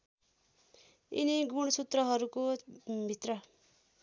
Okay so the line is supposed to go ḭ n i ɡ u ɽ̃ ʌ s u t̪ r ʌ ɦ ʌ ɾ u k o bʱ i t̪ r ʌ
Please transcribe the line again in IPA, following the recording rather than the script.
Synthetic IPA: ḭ n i ɡ u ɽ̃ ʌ s u t̪ r ʌ ɦ ʌ ɾ u k o bʱ i t̪ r ʌ